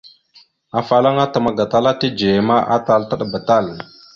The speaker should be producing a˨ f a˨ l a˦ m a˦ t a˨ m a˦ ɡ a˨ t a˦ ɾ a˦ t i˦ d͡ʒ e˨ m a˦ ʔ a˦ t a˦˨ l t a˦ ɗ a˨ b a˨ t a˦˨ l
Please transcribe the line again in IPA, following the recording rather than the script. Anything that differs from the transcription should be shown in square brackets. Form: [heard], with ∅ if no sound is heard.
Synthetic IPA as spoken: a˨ f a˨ l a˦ [ŋ] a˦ t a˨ m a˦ ɡ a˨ t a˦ [l] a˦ t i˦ d͡ʒ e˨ m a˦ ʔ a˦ t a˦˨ l t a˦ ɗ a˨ b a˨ t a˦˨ l